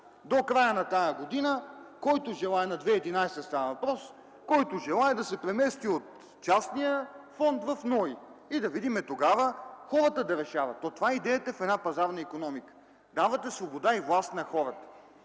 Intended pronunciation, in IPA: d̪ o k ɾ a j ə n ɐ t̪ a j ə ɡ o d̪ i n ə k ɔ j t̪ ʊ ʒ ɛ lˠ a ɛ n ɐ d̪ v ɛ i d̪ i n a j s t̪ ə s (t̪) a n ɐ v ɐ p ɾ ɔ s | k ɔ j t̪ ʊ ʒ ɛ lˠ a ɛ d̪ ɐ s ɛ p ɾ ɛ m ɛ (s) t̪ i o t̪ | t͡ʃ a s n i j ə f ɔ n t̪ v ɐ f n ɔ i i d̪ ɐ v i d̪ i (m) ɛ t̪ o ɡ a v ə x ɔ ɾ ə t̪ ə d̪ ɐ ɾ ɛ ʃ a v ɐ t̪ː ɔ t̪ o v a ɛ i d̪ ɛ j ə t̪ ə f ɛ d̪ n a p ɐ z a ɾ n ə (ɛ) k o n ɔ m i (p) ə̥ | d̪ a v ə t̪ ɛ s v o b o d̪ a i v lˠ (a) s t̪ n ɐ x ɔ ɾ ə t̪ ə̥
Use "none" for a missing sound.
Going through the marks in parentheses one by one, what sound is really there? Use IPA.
t̪, s, m, i, k, a

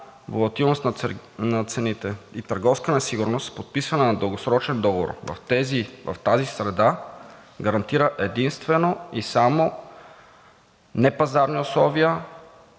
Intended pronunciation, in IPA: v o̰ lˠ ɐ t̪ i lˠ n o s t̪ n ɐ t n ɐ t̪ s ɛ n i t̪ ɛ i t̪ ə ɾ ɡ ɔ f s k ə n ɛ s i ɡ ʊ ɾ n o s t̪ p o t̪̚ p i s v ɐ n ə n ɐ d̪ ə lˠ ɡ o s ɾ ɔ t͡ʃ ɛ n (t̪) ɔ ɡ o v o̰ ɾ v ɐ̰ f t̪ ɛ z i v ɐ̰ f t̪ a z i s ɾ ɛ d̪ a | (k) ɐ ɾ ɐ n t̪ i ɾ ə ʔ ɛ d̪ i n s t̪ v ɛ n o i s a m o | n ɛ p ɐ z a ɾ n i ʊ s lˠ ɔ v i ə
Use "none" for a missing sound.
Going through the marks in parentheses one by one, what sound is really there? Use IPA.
d̪, ɡ

